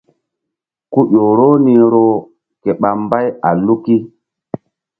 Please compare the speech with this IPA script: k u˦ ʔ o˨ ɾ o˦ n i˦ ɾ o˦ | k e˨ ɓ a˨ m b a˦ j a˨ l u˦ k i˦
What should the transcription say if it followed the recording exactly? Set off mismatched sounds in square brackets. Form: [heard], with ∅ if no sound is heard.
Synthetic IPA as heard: k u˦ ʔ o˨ ɾ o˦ n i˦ ɾ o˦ | k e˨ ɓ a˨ m b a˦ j a˨ l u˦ k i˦

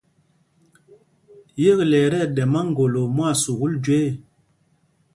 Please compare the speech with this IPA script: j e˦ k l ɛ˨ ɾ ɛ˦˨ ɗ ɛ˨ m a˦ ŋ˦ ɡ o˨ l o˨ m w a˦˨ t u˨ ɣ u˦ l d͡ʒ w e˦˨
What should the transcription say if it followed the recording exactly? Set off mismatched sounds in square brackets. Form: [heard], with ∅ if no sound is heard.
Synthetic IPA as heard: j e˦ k l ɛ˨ ɾ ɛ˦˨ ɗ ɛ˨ m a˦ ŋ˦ ɡ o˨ l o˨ m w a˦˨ [s] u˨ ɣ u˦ l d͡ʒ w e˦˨

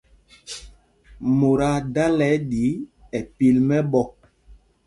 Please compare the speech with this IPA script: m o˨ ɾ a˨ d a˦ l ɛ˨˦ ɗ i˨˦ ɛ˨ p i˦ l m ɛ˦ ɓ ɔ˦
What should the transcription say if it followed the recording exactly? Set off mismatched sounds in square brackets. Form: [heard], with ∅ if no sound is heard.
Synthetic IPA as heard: m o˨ ɾ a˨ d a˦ l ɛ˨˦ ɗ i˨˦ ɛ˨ p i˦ l m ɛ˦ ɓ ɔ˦

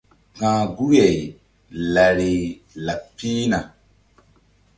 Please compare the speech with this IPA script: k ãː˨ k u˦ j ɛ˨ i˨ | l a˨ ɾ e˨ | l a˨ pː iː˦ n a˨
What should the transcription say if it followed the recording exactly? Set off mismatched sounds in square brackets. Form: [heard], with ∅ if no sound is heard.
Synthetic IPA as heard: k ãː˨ [ɡ] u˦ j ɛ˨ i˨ | l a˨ ɾ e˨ | l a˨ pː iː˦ n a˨

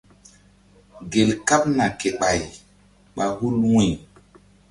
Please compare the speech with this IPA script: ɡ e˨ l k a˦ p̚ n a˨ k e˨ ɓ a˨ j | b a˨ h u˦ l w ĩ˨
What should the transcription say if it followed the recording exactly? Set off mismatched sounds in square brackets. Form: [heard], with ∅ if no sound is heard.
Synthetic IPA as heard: ɡ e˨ l k a˦ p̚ n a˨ k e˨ ɓ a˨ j | [ɓ] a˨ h u˦ l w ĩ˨

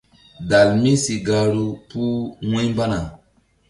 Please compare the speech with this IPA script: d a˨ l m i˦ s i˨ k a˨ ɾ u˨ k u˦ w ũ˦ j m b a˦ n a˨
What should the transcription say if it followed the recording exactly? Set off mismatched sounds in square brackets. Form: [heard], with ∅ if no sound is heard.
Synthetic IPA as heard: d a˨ l m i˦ s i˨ [ɡ] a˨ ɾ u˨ [p] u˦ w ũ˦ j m b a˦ n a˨

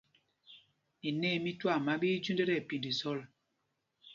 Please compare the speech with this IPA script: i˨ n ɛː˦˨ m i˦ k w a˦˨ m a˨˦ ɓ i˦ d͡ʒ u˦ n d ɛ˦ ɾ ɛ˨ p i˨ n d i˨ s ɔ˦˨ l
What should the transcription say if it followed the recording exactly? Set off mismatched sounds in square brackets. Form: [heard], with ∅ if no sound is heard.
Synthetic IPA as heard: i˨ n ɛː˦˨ m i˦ [t] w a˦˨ m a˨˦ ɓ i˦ d͡ʒ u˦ n d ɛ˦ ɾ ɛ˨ p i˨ n d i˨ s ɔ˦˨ l

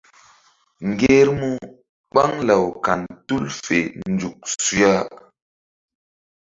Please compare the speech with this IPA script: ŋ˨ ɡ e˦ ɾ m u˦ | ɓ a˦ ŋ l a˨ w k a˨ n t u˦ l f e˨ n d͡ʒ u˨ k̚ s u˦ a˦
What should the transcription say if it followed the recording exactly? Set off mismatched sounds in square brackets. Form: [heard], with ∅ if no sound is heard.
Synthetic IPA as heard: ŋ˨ ɡ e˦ ɾ m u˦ | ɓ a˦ ŋ l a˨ w k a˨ n t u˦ l f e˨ n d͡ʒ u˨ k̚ s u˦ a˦

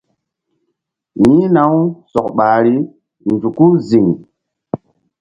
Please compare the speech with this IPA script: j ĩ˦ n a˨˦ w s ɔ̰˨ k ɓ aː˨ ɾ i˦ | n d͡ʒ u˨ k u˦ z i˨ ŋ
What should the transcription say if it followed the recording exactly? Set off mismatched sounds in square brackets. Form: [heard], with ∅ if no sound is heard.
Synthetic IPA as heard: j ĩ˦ n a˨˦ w s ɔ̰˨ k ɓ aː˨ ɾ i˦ | n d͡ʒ u˨ k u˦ z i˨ ŋ

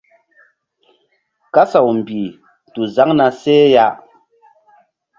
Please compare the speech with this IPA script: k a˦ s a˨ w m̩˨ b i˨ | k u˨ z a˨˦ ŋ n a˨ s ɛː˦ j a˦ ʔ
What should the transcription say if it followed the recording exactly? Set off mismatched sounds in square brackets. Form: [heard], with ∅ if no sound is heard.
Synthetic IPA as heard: k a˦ s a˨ w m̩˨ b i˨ | [t] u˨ z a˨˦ ŋ n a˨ s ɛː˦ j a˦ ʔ

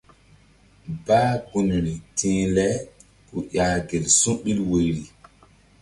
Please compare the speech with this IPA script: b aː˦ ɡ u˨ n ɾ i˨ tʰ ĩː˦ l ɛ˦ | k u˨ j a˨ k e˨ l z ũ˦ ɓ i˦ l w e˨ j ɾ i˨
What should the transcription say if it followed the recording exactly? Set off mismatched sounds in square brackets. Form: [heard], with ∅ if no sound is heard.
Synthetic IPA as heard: b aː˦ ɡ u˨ n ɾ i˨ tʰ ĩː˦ l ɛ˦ | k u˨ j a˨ [ɡ] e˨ l [s] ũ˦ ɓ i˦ l w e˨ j ɾ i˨

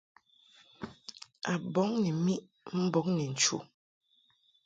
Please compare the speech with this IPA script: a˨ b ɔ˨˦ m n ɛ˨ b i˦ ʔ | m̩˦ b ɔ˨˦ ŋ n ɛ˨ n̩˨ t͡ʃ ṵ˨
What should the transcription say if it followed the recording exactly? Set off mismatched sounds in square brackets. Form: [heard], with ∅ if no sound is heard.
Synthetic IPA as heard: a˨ b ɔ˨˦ [ŋ] n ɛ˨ [m] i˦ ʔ | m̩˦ b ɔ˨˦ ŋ n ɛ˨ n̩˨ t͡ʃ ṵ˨

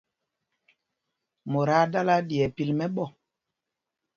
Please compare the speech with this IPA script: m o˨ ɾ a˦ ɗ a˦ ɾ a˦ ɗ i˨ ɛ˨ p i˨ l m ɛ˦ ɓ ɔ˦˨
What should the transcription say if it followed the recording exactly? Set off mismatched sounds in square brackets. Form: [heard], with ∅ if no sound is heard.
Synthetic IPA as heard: m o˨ ɾ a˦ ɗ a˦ [l] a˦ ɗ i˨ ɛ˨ p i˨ l m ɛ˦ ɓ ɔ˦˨

